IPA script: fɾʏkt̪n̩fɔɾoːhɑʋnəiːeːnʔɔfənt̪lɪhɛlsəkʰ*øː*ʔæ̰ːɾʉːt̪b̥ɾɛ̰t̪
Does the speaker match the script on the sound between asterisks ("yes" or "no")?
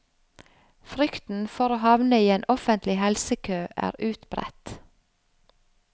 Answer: yes